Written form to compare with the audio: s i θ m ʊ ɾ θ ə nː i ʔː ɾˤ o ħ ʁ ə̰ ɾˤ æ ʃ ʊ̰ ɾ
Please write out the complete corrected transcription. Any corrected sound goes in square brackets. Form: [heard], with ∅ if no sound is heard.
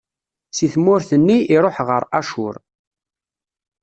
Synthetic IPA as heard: s i θ m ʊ ɾ θ ə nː i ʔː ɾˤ o ħ ʁ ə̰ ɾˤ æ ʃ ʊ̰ ɾ